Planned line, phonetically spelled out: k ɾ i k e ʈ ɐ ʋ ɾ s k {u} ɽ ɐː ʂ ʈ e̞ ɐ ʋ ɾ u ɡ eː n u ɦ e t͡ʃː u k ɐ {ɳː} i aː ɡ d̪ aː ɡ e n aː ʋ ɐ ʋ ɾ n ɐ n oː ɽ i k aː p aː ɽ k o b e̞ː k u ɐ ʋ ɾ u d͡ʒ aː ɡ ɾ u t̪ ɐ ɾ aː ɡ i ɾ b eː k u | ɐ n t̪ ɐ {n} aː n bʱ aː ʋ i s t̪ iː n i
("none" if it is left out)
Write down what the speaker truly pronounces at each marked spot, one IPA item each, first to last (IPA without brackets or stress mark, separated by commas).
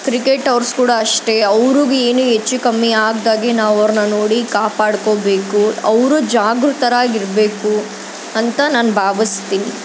uː, mː, n